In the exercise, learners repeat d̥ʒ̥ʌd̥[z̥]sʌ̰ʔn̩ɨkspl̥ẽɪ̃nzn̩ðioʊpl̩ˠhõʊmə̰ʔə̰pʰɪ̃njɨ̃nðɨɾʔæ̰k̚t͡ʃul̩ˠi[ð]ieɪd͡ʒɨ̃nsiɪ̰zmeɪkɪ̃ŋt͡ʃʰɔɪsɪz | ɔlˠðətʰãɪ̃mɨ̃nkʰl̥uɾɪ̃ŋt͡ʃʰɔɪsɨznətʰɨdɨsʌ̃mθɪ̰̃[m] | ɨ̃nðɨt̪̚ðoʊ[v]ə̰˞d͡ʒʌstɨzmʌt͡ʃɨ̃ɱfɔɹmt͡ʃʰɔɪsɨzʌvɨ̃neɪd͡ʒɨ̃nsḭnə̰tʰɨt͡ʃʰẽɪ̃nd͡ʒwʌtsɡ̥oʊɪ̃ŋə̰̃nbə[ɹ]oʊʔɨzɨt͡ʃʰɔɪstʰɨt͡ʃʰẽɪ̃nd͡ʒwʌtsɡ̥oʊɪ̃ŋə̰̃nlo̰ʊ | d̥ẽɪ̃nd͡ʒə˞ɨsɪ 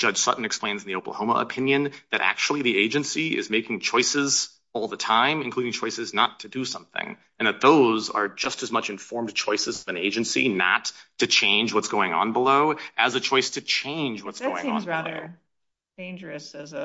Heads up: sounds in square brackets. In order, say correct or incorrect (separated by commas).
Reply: incorrect, correct, incorrect, incorrect, incorrect